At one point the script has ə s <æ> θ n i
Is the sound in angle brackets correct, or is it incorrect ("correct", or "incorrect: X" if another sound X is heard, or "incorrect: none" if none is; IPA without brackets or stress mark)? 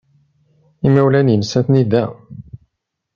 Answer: correct